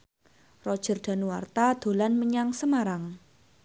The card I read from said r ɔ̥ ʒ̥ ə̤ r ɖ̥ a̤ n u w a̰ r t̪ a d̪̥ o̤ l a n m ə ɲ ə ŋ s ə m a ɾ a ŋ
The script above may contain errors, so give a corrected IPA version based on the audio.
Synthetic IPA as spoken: r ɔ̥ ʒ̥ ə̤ r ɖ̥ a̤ n u w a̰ r t̪ a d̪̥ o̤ l a n m ə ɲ a ŋ s ə m a ɾ a ŋ